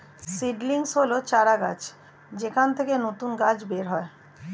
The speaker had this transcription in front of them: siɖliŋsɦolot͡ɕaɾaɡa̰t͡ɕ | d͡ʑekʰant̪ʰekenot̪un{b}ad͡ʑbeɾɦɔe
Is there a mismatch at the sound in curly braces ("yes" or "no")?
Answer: yes